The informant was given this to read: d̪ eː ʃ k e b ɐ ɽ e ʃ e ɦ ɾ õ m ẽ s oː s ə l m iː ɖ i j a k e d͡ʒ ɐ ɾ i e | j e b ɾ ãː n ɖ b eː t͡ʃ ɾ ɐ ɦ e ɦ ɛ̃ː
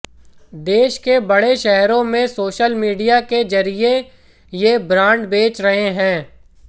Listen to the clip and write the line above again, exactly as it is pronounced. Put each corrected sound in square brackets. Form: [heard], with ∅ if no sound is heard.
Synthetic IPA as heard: d̪ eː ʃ k e b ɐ ɽ e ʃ [ɛ] ɦ ɾ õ m ẽ s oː [ʃ] ə l m iː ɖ i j a k e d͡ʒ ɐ ɾ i e | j e b ɾ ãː [ɳ] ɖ b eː t͡ʃ ɾ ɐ ɦ e ɦ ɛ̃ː